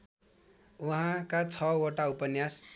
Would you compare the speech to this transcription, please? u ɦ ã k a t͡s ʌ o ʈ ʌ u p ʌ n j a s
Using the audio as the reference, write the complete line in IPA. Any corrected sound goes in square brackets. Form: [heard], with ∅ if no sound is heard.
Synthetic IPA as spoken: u ɦ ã k a [t͡sʰ] ʌ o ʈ [a] u p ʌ n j a s